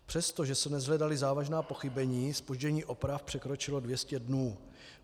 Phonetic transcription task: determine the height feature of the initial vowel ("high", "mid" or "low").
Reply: mid